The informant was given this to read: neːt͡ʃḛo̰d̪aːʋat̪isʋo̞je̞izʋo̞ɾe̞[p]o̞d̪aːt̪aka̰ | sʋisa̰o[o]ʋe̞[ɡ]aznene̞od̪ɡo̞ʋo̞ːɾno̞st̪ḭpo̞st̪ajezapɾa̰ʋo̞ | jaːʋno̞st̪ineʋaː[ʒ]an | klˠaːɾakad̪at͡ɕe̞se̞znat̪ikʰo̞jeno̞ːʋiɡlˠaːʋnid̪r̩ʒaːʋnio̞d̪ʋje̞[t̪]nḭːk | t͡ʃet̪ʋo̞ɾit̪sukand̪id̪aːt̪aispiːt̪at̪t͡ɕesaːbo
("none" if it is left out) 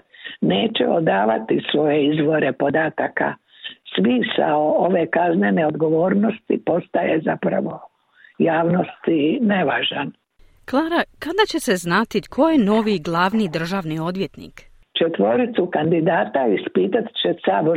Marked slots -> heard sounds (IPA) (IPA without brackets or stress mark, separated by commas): p, o, k, ʒ, t̪